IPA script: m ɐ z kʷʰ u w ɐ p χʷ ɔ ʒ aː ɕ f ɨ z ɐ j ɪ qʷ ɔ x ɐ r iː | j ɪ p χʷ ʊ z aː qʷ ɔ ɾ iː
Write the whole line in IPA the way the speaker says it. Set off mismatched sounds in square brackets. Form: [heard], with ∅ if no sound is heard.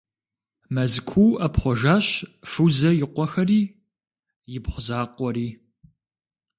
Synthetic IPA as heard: m ɐ z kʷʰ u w ɐ p χʷ ɔ ʒ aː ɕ f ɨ z ɐ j ɪ qʷ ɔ x ɐ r iː | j ɪ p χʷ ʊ z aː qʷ ɔ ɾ iː